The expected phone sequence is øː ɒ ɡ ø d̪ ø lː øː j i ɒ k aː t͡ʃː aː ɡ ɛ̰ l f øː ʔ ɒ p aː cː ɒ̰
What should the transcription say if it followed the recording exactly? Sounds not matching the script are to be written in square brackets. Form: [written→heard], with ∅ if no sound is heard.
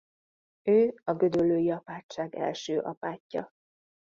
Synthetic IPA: øː ɒ ɡ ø d̪ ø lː øː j i ɒ [k→p] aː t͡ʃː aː ɡ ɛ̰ l [f→ʃ] øː ʔ ɒ p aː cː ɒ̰